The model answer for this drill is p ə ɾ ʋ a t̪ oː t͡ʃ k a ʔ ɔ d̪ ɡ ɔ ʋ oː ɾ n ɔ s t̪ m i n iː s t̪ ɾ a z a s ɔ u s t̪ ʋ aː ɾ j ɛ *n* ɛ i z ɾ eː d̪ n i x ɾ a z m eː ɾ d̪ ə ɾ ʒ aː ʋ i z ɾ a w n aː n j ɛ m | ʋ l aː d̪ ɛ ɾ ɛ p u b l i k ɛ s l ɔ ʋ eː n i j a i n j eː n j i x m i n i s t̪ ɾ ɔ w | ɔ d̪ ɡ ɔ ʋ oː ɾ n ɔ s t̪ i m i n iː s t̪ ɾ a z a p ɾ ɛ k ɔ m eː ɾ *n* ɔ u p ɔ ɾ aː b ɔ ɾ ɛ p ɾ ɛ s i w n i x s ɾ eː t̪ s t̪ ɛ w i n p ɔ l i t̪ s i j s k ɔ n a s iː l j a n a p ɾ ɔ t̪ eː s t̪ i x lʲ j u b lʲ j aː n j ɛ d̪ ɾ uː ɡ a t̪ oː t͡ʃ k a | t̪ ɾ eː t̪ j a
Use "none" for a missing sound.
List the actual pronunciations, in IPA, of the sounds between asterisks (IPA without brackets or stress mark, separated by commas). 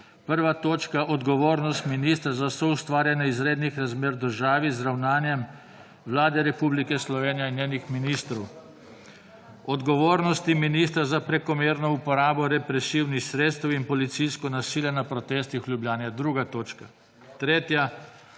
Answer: n, n